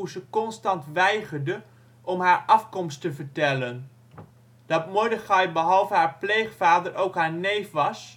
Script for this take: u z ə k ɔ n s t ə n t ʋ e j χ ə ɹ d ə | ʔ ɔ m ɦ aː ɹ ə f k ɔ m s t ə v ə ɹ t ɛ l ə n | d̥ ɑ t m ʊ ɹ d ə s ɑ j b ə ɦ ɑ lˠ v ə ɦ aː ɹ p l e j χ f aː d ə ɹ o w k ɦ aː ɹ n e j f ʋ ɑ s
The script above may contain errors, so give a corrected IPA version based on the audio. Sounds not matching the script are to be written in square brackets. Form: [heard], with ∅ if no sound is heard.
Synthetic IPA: u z ə k ɔ n s t [ɑ] n t ʋ [ɛ] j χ ə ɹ d ə | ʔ ɔ m ɦ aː ɹ [ɑ] f k ɔ m s t ə v ə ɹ t ɛ l ə n | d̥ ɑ t m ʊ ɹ d ə [χ] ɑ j b ə ɦ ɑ lˠ v ə ɦ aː ɹ p l e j χ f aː d ə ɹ o w k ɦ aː ɹ n e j f ʋ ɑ s